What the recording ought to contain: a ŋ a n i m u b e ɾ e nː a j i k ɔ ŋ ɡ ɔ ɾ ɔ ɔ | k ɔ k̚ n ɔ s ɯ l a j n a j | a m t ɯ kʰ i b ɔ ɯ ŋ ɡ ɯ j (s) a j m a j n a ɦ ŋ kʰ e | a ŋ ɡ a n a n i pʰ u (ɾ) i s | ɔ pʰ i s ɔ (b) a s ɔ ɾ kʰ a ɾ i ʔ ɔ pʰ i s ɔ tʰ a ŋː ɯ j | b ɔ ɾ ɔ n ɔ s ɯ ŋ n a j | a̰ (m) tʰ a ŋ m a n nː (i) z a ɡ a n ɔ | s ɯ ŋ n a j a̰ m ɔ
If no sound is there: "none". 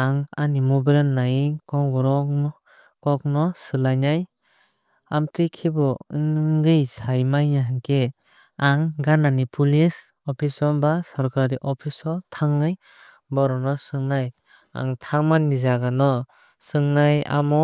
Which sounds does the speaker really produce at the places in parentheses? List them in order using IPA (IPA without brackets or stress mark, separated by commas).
s, l, b, ŋ, i